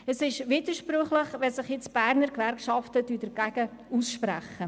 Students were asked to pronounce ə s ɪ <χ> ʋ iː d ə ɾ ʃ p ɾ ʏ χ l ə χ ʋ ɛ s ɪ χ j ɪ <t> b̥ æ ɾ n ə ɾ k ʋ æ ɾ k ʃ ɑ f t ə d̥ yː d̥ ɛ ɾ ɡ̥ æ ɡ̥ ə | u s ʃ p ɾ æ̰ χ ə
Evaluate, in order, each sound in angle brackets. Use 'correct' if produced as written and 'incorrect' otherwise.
incorrect: ʃ, incorrect: t͡s

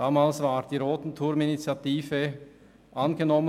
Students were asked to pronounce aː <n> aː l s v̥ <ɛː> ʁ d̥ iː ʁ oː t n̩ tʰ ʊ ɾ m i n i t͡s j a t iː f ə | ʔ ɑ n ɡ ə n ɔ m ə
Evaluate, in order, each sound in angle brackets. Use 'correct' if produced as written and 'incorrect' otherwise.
incorrect: m, incorrect: aː

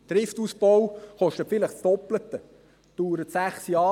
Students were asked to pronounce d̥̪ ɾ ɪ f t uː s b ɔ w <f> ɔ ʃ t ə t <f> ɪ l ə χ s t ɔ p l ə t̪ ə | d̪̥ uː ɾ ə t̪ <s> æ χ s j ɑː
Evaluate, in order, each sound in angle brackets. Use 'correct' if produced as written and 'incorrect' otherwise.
incorrect: χ, correct, correct

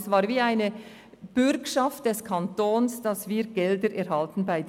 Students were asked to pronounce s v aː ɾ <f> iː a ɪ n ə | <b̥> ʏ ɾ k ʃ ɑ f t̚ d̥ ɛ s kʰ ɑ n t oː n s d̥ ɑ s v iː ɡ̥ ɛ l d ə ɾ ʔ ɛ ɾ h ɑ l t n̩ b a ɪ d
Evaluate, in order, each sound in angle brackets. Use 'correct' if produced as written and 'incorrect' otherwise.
incorrect: v, correct

